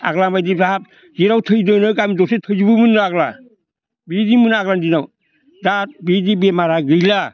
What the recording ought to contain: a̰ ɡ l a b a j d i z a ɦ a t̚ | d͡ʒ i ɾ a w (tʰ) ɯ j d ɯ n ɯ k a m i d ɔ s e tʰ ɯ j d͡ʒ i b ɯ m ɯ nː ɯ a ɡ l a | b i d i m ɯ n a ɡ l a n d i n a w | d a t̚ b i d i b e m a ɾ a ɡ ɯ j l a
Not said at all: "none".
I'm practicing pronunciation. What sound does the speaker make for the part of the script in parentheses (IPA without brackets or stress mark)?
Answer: tʰ